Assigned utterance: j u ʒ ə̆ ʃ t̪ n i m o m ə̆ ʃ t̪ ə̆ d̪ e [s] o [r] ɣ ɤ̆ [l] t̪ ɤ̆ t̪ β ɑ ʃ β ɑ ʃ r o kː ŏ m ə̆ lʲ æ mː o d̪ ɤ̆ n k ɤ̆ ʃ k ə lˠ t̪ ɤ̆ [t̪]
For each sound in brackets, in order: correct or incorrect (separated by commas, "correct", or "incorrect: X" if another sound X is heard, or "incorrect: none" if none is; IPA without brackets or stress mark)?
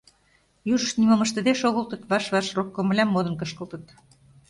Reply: incorrect: ʃ, incorrect: none, correct, correct